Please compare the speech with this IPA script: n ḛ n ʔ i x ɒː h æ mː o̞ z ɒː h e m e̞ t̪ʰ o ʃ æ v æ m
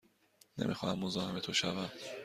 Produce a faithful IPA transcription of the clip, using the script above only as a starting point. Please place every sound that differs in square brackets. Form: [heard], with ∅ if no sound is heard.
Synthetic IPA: n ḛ [m] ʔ i x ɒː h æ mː o̞ z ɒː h e m e̞ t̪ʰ o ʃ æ v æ m